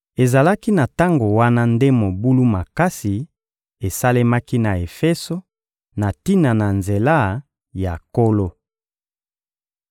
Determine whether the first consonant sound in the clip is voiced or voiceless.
voiced